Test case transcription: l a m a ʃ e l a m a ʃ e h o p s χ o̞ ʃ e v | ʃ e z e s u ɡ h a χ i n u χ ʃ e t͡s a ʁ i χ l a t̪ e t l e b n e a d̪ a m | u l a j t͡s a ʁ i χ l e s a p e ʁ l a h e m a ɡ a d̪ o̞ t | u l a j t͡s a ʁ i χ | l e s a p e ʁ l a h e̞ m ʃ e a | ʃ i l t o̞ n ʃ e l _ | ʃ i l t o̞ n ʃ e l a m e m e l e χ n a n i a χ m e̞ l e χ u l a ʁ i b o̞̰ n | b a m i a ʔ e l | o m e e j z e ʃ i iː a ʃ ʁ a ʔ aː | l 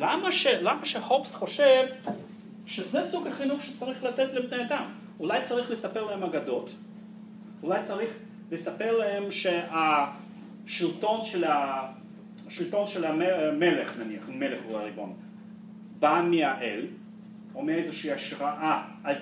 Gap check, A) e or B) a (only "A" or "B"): B